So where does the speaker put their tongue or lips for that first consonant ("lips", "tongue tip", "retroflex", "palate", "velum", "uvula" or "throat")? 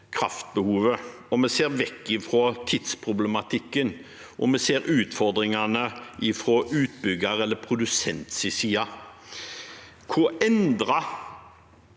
velum